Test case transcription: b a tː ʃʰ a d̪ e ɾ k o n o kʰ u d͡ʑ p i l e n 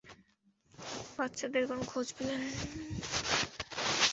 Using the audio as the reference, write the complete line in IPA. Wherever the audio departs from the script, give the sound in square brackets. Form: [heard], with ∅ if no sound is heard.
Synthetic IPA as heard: b a tː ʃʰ a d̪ e ɾ k o n o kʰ [o] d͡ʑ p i l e n